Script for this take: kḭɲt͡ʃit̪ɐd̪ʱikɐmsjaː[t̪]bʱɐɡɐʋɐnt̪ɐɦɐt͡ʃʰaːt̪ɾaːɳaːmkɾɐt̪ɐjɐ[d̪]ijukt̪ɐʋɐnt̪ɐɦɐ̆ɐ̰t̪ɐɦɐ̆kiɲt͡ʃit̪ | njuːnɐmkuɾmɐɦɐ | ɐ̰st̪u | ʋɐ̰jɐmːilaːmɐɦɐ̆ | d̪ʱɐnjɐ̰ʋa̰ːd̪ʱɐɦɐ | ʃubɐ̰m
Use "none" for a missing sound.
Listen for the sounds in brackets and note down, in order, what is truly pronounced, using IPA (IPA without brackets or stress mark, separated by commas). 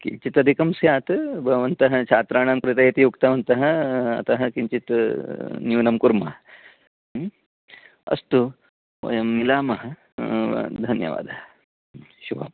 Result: t̪, t̪